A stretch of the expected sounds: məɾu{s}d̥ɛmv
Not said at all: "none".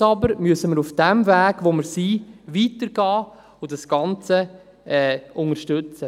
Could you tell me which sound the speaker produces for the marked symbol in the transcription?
f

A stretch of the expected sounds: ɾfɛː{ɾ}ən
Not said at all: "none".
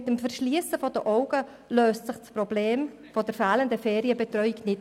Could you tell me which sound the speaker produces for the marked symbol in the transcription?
l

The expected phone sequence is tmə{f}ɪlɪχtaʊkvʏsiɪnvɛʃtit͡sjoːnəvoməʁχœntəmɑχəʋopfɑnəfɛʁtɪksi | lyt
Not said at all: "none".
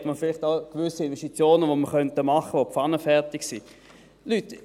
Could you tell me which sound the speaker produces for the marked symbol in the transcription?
f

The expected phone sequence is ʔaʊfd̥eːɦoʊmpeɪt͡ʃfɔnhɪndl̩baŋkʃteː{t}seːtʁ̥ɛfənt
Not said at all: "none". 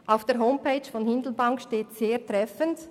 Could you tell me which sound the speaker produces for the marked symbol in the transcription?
t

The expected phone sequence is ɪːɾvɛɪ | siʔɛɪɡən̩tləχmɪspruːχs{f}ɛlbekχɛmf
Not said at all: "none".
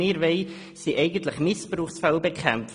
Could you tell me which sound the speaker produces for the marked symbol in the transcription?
f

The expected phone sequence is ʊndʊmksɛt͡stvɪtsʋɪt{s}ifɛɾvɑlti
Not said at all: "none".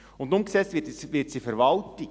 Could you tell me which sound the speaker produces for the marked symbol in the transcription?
s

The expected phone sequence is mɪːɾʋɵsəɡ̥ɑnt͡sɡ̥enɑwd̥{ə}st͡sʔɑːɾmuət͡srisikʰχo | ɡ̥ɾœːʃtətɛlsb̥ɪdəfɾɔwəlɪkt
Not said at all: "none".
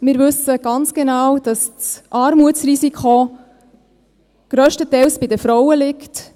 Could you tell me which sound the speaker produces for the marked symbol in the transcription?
ɑ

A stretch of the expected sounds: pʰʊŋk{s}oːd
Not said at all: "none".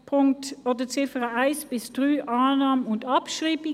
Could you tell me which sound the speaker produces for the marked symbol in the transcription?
t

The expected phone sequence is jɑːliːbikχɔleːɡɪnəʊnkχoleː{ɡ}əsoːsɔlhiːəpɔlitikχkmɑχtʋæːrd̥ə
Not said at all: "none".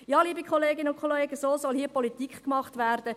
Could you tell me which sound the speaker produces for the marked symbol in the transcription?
ɡ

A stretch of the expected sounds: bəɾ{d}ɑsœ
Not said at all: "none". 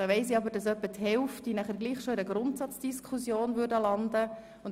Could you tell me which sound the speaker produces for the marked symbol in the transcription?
d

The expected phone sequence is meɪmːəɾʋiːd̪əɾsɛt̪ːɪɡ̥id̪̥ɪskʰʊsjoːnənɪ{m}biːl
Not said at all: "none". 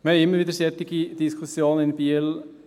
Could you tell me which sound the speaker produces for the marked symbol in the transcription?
n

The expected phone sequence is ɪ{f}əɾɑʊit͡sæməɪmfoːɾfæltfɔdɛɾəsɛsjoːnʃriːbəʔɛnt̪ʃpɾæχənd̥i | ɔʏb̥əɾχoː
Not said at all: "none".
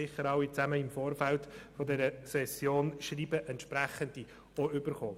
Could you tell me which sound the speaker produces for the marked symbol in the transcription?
χ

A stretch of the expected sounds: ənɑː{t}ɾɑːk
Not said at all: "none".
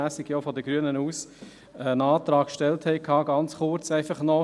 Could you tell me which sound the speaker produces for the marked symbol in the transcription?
t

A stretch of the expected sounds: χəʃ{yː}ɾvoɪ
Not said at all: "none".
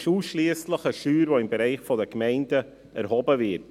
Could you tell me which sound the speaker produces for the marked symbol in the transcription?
yː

